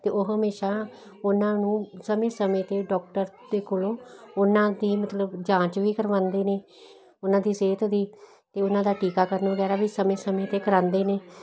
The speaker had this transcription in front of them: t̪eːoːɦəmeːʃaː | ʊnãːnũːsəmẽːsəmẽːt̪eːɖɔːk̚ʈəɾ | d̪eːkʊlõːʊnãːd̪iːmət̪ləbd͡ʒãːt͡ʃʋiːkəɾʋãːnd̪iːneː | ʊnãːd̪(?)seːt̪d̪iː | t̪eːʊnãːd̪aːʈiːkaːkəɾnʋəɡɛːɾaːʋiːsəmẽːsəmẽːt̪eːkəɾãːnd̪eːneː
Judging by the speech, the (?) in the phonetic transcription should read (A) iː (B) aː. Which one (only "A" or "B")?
A